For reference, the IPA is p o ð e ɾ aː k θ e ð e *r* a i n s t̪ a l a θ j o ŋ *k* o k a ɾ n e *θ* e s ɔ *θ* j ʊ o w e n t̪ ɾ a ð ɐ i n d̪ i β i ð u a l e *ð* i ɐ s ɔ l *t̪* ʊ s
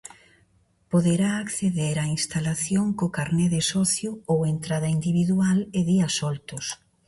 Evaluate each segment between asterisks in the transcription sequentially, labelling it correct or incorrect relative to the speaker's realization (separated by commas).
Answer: incorrect, correct, incorrect, correct, correct, correct